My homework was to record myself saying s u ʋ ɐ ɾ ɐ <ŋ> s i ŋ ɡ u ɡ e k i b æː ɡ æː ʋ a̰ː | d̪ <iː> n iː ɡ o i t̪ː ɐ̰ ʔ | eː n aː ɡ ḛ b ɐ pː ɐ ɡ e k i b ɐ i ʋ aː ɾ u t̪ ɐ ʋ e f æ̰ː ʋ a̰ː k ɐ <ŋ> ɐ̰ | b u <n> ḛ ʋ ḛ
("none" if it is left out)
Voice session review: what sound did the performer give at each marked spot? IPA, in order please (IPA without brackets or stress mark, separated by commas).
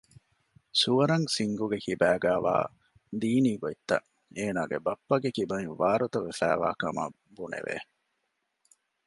ŋ, iː, m, n